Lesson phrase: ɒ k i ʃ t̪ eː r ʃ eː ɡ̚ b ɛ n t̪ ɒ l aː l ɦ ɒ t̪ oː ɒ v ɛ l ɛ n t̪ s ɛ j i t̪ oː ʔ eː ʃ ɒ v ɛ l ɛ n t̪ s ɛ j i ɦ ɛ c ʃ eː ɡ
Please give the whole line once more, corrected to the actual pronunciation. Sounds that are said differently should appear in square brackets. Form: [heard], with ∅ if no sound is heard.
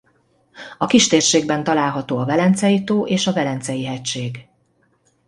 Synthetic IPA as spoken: ɒ k i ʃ t̪ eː r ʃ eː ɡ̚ b ɛ n t̪ ɒ l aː l ɦ ɒ t̪ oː ɒ v ɛ l ɛ n t̪ s ɛ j i t̪ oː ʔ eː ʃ ɒ v ɛ l ɛ n t̪ s ɛ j i ɦ ɛ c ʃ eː ɡ